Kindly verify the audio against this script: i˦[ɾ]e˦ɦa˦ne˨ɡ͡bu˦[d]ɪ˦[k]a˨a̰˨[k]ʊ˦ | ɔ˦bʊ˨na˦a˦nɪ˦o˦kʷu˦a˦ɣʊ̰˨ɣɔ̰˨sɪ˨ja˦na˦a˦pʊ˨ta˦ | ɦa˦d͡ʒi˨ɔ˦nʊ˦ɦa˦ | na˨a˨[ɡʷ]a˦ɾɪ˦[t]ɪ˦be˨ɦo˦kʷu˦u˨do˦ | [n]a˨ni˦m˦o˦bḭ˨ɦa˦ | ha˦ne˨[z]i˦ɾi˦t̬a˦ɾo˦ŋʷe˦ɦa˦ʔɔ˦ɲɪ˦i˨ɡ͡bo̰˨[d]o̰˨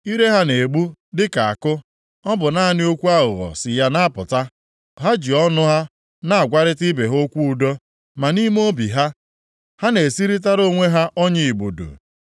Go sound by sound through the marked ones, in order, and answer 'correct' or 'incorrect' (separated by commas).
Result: correct, correct, correct, correct, correct, correct, incorrect, incorrect, correct